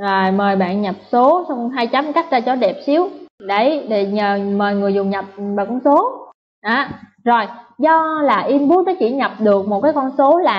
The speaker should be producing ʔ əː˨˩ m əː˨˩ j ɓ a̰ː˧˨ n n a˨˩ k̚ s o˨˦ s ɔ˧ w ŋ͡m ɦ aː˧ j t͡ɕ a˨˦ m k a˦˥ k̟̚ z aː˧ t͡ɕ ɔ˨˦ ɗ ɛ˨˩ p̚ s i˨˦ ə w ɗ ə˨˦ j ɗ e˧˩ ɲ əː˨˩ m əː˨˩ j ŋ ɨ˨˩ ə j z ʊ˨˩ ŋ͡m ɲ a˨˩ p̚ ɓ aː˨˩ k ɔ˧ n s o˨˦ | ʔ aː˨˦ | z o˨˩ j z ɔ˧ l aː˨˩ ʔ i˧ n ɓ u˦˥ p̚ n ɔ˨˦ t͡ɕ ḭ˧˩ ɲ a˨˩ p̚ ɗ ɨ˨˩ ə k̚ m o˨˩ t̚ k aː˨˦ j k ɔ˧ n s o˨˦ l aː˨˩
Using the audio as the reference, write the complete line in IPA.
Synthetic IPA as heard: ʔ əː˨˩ m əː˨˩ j ɓ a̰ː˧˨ n ɲ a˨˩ p̚ s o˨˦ s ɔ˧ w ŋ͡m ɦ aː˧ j t͡ɕ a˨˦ m k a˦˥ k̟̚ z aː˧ t͡ɕ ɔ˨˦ ɗ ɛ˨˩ p̚ s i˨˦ ə w ɗ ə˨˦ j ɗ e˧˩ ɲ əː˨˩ m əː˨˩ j ŋ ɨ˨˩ ə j z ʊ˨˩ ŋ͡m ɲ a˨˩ p̚ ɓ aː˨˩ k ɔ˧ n s o˨˦ | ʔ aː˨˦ | z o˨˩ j z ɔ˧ l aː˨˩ ʔ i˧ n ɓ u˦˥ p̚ n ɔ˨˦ t͡ɕ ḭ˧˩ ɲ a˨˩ p̚ ɗ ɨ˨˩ ə k̚ m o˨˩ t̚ k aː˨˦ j k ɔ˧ n s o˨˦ l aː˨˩